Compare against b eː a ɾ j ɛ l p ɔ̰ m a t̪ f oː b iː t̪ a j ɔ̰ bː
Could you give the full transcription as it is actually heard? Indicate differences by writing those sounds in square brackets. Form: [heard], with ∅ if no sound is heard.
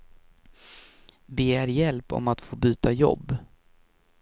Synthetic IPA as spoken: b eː [æ] ɾ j ɛ l p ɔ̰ m a t̪ f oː b [yː] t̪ a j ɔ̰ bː

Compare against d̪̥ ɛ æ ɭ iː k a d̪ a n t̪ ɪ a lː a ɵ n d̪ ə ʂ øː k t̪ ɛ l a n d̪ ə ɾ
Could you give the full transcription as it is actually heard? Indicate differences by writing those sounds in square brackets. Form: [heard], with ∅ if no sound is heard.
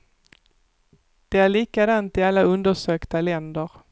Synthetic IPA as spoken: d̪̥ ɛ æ ɭ iː k a d̪ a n t̪ ɪ a lː a ɵ n d̪ ə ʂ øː k t̪ [a] l [ɛ] n d̪ ə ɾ

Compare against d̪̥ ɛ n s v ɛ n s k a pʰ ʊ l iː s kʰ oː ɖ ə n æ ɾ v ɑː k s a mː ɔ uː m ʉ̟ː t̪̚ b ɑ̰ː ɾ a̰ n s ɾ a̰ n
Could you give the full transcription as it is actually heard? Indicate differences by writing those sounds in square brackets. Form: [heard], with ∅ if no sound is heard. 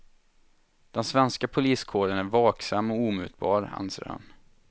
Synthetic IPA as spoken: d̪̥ ɛ n s v ɛ n s k a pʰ ʊ l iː s kʰ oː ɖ ə n æ ɾ v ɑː k s a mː ɔ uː m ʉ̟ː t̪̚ b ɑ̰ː ɾ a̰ n s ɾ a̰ n

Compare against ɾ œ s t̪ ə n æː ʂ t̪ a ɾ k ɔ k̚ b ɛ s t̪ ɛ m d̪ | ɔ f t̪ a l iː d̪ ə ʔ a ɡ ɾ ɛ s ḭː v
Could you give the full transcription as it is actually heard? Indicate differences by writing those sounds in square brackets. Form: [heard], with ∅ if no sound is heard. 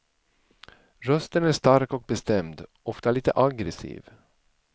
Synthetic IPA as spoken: ɾ œ s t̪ ə n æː ʂ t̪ a ɾ k ɔ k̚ b ɛ s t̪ ɛ m d̪ | ɔ f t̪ a l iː [t̪] ə ʔ a ɡ ɾ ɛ s ḭː v

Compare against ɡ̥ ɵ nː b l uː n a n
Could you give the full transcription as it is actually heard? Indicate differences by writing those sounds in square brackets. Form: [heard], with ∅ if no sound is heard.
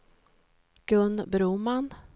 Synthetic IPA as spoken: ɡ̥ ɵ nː b [ɾ] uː [m] a n

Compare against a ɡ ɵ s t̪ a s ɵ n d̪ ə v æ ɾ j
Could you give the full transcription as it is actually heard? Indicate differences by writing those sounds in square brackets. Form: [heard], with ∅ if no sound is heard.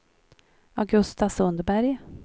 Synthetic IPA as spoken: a ɡ ɵ s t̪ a s ɵ n d̪ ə [b] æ ɾ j

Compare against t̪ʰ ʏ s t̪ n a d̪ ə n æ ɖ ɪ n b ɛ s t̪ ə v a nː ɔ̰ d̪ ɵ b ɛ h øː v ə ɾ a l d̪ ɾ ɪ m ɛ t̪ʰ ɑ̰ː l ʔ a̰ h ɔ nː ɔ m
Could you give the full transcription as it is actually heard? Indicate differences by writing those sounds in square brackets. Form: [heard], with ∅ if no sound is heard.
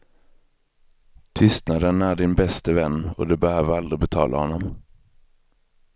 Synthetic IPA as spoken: t̪ʰ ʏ s t̪ n a d̪ ə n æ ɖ ɪ n b ɛ s t̪ ə v [ɛ] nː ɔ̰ d̪ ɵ b ɛ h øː v ə ɾ a l d̪ ɾ ɪ [b] ɛ t̪ʰ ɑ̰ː l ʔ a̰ h ɔ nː ɔ m

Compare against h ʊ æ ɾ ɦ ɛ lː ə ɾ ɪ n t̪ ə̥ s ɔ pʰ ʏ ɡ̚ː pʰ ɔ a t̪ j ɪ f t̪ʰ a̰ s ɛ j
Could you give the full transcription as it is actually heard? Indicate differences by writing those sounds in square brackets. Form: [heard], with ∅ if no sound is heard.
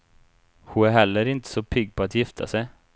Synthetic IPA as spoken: h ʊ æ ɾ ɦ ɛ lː ə ɾ ɪ n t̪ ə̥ s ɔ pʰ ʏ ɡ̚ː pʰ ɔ a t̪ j ɪ f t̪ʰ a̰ s ɛ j

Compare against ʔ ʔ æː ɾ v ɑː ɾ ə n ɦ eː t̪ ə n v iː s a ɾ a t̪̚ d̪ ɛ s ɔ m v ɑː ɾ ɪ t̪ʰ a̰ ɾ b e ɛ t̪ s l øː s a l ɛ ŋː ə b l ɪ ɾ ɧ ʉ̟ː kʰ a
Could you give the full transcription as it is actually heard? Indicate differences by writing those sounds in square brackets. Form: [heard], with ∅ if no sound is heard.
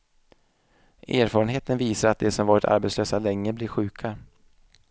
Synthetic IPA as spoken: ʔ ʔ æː ɾ [f] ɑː ɾ ə n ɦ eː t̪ ə n v iː s a ɾ a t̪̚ d̪ ɛ s ɔ m v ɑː ɾ ɪ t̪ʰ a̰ ɾ b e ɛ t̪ s l øː s a l ɛ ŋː ə b l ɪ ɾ ɧ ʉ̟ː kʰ a

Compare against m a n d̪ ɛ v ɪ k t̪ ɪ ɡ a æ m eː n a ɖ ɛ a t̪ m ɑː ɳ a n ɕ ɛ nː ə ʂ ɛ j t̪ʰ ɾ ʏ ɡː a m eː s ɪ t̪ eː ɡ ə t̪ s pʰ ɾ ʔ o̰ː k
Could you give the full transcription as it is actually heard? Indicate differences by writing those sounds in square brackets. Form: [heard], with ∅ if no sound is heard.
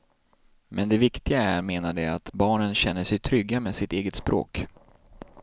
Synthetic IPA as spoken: m [ɛ] n d̪ ɛ v ɪ k t̪ ɪ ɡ a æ m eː n a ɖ ɛ a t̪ [b] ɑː ɳ [ə] n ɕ ɛ nː ə ʂ ɛ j t̪ʰ ɾ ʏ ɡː a m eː s ɪ t̪ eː ɡ ə t̪ s [p] ɾ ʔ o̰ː k

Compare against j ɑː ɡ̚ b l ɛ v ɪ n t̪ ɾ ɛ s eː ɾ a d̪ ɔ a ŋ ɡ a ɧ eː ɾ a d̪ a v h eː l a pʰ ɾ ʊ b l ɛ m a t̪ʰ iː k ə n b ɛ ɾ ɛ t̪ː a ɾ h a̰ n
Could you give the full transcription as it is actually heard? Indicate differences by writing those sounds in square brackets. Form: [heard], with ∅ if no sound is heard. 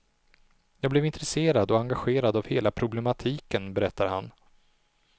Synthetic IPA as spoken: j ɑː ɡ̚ b l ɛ v ɪ n t̪ ɾ ɛ s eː ɾ a d̪ ɔ a ŋ ɡ a ɧ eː ɾ a d̪ a v h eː l a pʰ ɾ ʊ b l ɛ m a t̪ʰ iː k ə n b ɛ ɾ ɛ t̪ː a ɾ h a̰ n

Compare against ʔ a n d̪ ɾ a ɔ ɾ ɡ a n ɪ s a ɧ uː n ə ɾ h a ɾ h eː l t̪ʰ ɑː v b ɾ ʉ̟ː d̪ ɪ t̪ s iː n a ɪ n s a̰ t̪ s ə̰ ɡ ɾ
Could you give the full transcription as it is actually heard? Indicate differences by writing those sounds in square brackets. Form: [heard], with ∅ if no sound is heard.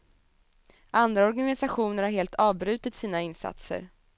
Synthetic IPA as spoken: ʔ a n d̪ ɾ a ɔ ɾ ɡ a n ɪ s a ɧ uː n ə ɾ h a ɾ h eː l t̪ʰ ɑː v b ɾ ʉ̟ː [t̪] ɪ t̪ s iː n a ɪ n s a̰ t̪ s ə̰ [∅] ɾ

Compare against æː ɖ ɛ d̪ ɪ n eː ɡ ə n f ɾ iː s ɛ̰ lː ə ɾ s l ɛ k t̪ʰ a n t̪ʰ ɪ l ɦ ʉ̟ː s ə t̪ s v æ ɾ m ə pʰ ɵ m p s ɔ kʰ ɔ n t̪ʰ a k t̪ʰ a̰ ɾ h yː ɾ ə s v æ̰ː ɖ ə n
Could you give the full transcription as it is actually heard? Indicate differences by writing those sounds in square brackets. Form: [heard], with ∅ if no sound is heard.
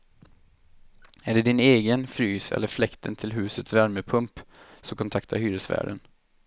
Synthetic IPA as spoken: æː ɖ ɛ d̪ ɪ n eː ɡ ə n f ɾ [yː] s ɛ̰ lː ə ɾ [f] l ɛ k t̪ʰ [ə] n t̪ʰ ɪ l ɦ ʉ̟ː s ə t̪ s v æ ɾ m ə pʰ ɵ m p s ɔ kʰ ɔ n t̪ʰ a k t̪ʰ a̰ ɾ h yː ɾ ə s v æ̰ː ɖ ə n

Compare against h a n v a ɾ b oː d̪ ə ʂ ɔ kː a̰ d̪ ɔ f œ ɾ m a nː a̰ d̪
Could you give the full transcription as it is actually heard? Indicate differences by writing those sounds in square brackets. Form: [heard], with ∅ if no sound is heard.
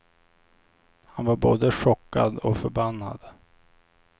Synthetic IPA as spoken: h a n v a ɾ b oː d̪ ə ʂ ɔ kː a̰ d̪ ɔ f œ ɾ [b] a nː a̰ d̪

